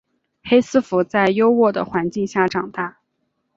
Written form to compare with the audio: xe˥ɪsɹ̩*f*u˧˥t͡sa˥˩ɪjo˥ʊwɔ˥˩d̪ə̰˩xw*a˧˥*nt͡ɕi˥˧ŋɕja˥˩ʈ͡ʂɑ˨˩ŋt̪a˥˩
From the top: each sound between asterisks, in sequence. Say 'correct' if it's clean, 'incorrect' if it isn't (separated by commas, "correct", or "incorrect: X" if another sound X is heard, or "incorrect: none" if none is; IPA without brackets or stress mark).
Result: correct, correct